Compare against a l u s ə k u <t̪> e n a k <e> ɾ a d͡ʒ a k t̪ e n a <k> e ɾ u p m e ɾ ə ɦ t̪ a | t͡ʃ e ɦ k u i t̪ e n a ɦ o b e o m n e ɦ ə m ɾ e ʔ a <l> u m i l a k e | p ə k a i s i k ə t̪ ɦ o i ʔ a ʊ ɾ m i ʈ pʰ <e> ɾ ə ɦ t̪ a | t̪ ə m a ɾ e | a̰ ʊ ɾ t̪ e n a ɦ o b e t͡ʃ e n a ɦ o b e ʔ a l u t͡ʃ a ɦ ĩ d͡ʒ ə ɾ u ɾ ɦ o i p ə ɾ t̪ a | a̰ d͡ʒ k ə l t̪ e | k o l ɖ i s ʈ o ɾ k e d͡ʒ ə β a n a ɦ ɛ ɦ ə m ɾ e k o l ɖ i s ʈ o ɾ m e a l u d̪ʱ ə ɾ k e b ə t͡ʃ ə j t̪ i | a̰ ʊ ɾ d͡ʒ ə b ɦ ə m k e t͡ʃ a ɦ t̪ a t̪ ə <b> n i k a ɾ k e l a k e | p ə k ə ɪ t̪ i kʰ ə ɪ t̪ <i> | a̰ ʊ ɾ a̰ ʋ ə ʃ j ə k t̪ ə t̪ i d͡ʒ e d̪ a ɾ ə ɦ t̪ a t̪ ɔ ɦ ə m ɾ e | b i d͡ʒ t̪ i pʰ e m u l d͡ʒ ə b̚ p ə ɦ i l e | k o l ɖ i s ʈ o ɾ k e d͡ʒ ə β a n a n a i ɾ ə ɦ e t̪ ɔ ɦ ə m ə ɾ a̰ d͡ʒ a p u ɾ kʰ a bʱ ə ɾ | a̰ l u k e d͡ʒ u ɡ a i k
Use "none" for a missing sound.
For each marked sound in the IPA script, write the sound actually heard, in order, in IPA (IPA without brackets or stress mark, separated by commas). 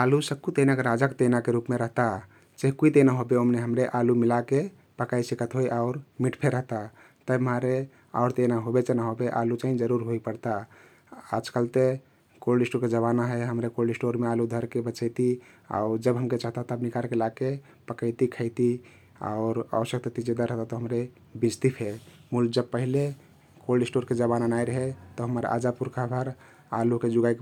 t̪, e, k, l, e, b, i